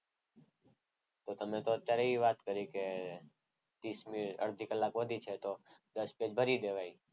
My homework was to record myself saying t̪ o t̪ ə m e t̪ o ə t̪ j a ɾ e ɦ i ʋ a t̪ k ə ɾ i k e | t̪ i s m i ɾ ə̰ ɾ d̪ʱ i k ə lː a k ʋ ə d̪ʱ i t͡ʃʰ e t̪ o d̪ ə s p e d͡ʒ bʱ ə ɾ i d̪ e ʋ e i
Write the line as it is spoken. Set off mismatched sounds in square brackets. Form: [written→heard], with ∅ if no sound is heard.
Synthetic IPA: t̪ o t̪ ə m e t̪ o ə t̪ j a ɾ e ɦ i ʋ a t̪ k ə ɾ i k e | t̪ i s m i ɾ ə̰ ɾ d̪ʱ i k ə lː a k ʋ ə d̪ʱ i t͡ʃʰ e t̪ o d̪ ə s p e d͡ʒ bʱ ə ɾ i d̪ e ʋ [e→a] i

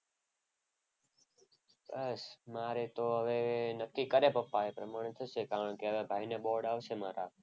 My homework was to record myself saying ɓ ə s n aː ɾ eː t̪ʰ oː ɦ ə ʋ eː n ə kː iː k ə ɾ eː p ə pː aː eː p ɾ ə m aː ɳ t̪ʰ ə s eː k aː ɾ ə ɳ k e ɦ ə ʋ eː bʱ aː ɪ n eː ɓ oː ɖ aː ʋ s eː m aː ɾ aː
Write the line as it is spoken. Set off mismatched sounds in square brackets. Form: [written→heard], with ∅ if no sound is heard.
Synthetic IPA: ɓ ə s [n→m] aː ɾ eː [t̪ʰ→t̪] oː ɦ ə ʋ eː n ə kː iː k ə ɾ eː p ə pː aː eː p ɾ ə m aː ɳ t̪ʰ ə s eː k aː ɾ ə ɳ k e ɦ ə ʋ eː bʱ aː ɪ n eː ɓ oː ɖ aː ʋ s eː m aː ɾ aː

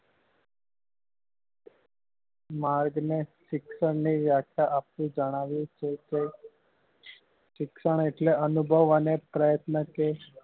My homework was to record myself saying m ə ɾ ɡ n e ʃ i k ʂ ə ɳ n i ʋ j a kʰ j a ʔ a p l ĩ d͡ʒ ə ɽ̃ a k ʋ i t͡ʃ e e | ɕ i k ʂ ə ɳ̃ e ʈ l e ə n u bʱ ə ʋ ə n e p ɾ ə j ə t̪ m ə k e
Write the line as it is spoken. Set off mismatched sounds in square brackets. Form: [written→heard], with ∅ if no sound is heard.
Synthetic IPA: m [ə→a] ɾ ɡ n e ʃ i k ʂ ə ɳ n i ʋ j a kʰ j a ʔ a p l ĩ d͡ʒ ə ɽ̃ a [k→∅] ʋ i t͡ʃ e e | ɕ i k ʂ ə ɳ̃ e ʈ l e ə n u bʱ ə ʋ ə n e p ɾ ə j ə t̪ [m→n] ə k e

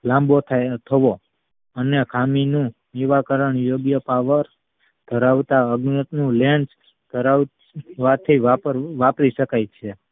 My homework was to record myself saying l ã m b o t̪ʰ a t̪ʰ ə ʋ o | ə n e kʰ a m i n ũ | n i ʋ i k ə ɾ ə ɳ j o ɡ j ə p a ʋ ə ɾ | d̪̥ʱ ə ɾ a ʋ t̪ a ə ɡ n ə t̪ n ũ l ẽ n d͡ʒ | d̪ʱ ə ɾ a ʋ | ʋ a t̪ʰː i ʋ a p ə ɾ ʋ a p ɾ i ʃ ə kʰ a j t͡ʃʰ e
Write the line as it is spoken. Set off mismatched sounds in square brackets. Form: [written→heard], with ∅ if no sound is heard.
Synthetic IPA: l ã m b o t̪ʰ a t̪ʰ ə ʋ o | ə n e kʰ a m i n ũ | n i ʋ [i→a] k ə ɾ ə ɳ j o ɡ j ə p a ʋ ə ɾ | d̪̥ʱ ə ɾ a ʋ t̪ a ə ɡ n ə t̪ n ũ l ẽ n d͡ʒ | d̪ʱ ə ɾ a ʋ | ʋ a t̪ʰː i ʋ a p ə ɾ ʋ a p ɾ i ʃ ə [kʰ→k] a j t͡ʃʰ e

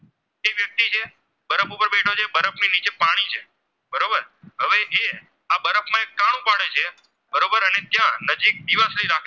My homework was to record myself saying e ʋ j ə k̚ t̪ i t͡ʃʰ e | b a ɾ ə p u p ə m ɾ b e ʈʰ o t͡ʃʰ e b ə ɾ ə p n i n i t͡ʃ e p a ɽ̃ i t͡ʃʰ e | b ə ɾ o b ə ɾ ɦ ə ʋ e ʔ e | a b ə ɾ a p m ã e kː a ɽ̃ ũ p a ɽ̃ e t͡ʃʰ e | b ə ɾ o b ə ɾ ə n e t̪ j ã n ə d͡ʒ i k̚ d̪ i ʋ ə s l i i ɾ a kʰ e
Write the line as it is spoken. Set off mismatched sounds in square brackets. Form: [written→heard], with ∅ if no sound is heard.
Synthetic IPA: e ʋ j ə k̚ t̪ i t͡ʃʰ e | b [a→ə] ɾ ə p u p ə [m→∅] ɾ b e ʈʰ o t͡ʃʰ e b ə ɾ ə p n i n i t͡ʃ e p a ɽ̃ i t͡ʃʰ e | b ə ɾ o b ə ɾ ɦ ə ʋ e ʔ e | a b ə ɾ [a→ə] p m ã e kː a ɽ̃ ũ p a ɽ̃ e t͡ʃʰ e | b ə ɾ o b ə ɾ ə n e t̪ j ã n ə d͡ʒ i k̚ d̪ i ʋ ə s l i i ɾ a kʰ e

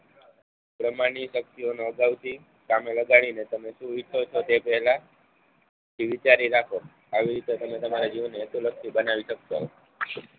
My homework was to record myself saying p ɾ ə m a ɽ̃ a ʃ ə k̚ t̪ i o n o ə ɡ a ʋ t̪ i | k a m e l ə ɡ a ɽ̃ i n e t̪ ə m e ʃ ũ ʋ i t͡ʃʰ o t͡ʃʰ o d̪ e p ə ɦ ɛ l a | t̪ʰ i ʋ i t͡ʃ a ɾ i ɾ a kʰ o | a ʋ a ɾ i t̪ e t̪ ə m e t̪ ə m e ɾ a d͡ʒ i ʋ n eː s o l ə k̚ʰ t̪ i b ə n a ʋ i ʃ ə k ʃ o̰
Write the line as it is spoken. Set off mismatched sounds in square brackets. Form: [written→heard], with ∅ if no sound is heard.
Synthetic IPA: p ɾ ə m a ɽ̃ [a→i] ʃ ə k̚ t̪ i o n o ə ɡ a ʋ t̪ i | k a m e l ə ɡ a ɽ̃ i n e t̪ ə m e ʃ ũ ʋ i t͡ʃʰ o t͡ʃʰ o [d̪→t̪] e p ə ɦ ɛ l a | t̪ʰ i ʋ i t͡ʃ a ɾ i ɾ a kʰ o | a ʋ [a→i] ɾ i t̪ e t̪ ə m e t̪ ə m [e→a] ɾ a d͡ʒ i ʋ n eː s [o→u] l ə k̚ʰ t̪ i b ə n a ʋ i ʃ ə k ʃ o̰

